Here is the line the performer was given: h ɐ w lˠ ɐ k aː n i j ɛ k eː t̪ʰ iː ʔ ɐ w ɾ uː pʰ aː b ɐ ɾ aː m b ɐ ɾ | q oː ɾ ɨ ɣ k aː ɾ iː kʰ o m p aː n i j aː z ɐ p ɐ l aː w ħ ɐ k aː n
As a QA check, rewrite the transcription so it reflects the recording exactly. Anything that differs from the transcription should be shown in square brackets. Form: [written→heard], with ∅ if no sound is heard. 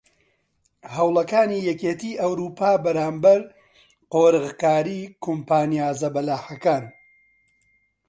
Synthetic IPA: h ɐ w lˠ ɐ k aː n i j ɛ k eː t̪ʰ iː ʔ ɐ w ɾ uː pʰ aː b ɐ ɾ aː m b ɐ ɾ | q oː ɾ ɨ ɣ k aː ɾ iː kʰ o m p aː n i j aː z ɐ [p→b] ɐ l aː [w→∅] ħ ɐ k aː n